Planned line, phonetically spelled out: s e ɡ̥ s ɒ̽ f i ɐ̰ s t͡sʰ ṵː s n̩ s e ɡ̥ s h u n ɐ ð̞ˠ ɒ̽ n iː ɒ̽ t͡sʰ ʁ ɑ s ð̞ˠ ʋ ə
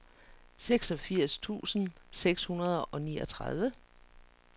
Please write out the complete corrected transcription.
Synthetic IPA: s e ɡ̥ s ɒ̽ f i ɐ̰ s t͡sʰ ṵː s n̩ s e ɡ̥ s h u n ɐ ð̞ˠ ɒ̽ n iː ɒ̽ t͡sʰ ʁ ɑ ð̞ˠ ʋ ə

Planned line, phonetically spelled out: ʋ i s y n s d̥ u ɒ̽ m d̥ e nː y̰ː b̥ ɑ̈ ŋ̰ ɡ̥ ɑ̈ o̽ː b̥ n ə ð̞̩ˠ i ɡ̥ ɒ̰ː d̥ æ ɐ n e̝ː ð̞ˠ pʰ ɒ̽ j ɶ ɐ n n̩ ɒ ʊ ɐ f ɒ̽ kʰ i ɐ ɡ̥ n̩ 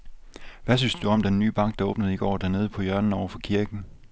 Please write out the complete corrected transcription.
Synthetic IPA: ʋ æ s y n s d̥ u ɒ̽ m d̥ e nː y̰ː b̥ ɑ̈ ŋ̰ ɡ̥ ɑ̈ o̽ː b̥ n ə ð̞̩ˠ i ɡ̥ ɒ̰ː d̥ æ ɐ n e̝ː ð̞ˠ pʰ ɒ̽ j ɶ ɐ n n̩ ɒ ʊ ɐ f ɒ̽ kʰ i ɐ ɡ̥ n̩

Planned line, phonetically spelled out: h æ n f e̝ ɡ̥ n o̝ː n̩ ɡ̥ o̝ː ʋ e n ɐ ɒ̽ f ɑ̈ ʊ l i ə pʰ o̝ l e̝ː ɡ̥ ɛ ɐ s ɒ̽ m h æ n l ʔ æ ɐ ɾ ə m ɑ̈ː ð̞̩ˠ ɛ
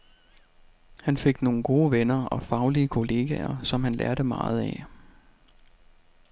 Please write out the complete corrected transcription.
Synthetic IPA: h æ n f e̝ ɡ̥ n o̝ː n̩ ɡ̥ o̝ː ʋ e n ɐ ɒ̽ f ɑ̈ ʊ l i ə kʰ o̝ l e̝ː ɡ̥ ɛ ɐ s ɒ̽ m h æ n l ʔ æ ɐ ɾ ə m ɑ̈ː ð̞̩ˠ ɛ

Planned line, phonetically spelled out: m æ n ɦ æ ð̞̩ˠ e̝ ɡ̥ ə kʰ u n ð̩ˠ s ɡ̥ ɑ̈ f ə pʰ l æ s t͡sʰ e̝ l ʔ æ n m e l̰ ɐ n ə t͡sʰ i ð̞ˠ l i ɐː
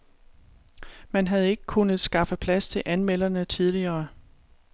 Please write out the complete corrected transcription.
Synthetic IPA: m æ n ɦ æ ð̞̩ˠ e̝ ɡ̥ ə kʰ u n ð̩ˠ s ɡ̥ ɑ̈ f ə pʰ l æ s t͡sʰ e̝ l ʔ æ n m e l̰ ɐ n ə t͡sʰ i ð̞ˠ l i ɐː

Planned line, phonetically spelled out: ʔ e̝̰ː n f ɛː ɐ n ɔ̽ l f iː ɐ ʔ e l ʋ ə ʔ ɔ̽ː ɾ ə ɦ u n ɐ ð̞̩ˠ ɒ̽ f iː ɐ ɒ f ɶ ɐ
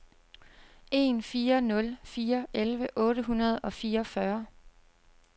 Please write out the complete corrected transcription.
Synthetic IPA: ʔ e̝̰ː n f iː ɐ n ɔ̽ l f iː ɐ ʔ e l ʋ ə ʔ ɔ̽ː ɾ ə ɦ u n ɐ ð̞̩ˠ ɒ̽ f iː ɐ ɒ f ɶ ɐ

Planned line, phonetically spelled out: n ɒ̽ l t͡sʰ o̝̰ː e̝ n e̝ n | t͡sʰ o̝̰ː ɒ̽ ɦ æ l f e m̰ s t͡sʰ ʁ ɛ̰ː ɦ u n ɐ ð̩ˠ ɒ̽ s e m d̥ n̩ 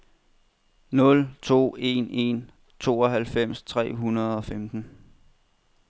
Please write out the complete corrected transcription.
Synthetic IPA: n ɔ̽ l t͡sʰ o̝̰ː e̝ n e̝ n | t͡sʰ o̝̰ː ɒ̽ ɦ æ l f e m̰ s t͡sʰ ʁ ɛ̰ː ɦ u n ɐ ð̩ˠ ɒ̽ f e m d̥ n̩

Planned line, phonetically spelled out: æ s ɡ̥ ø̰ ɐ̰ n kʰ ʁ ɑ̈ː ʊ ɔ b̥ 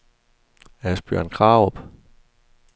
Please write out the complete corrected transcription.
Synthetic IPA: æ s b̥ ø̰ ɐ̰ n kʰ ʁ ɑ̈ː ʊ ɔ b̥

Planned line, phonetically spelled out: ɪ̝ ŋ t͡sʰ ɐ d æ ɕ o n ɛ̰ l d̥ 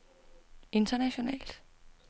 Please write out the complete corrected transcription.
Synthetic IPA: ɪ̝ n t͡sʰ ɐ n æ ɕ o n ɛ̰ l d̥

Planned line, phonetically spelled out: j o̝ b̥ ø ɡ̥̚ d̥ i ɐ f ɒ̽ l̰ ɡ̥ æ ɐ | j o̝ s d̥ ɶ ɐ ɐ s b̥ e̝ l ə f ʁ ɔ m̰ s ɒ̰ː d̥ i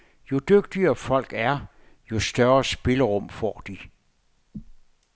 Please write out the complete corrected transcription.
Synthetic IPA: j o̝ d̥ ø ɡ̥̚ d̥ i ɐ f ɒ̽ l̰ ɡ̥ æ ɐ | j o̝ s d̥ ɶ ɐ ɐ s b̥ e̝ l ə ʁ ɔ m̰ f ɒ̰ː d̥ i

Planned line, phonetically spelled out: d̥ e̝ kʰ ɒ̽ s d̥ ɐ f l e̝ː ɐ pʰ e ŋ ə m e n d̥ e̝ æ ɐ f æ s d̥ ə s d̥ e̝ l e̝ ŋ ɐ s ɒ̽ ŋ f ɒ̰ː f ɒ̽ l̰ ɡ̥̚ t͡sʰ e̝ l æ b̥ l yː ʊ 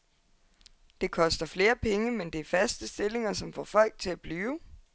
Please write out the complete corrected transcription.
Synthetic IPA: d̥ e̝ kʰ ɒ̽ s d̥ ɐ f l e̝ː ɐ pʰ e ŋ ə m e n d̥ e̝ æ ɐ f æ s d̥ ə s d̥ e̝ l e̝ ŋ ɐ s ɒ̽ m f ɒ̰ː f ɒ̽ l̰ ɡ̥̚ t͡sʰ e̝ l æ b̥ l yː ʊ

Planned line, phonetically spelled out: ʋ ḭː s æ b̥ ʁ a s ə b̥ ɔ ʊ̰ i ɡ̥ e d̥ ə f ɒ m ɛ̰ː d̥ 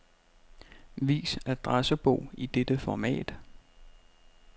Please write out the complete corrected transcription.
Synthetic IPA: ʋ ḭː s æ d̥ ʁ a s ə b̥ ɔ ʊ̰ i d̥ e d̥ ə f ɒ m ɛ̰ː d̥

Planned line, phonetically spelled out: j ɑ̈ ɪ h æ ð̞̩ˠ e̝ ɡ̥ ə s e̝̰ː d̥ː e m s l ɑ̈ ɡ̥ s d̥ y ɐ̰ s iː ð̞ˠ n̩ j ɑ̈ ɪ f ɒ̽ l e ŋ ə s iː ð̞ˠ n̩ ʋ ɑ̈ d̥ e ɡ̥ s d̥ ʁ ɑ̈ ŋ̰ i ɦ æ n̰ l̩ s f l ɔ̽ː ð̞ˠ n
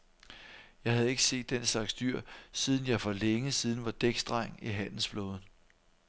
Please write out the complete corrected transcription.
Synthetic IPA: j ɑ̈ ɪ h æ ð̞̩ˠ e̝ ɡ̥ ə s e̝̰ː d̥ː e n s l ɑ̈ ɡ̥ s d̥ y ɐ̰ s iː ð̞ˠ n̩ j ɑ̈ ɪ f ɒ̽ l e ŋ ə s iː ð̞ˠ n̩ ʋ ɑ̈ d̥ e ɡ̥ s d̥ ʁ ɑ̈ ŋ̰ i ɦ æ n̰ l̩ s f l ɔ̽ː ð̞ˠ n

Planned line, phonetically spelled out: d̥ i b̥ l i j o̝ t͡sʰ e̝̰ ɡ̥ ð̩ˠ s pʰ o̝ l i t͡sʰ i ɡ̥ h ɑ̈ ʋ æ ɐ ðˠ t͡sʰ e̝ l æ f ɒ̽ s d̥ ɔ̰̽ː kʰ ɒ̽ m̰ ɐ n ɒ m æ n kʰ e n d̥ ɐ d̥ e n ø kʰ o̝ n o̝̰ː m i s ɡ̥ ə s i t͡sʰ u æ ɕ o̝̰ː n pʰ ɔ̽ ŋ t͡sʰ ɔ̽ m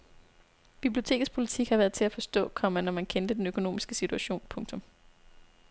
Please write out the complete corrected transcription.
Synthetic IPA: b̥ i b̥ l i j o̝ t͡sʰ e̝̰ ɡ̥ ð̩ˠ s pʰ o̝ l i t͡sʰ i ɡ̥ h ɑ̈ ʋ æ ɐ ðˠ t͡sʰ e̝ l æ f ɒ̽ s d̥ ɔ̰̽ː kʰ ɒ̽ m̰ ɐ n ɒ m æ n kʰ e n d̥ ə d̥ e n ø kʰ o̝ n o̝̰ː m i s ɡ̥ ə s i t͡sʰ u æ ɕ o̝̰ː n pʰ ɔ̽ ŋ t͡sʰ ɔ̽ m

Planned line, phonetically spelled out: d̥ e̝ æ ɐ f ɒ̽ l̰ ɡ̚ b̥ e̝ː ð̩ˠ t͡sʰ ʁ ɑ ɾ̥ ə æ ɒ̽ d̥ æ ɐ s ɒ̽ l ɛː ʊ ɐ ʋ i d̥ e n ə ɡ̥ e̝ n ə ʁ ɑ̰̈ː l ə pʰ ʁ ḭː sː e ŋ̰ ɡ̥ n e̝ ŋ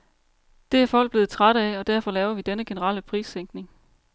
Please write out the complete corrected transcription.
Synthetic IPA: d̥ e̝ æ ɐ f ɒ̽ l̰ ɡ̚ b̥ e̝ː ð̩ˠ t͡sʰ ʁ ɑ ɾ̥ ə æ ɒ̽ d̥ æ ɐ f ɒ̽ l ɛː ʊ ɐ ʋ i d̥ e n ə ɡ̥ e̝ n ə ʁ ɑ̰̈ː l ə pʰ ʁ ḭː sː e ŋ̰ ɡ̥ n e̝ ŋ

